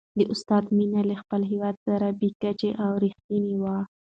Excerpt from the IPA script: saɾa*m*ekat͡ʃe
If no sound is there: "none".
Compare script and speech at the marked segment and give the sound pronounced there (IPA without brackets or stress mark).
b